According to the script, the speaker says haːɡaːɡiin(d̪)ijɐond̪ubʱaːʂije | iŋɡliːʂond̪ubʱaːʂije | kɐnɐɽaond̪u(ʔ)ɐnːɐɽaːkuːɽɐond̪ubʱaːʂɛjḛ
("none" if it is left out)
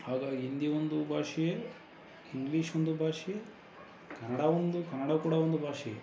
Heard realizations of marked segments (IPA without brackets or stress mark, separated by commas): d̪, k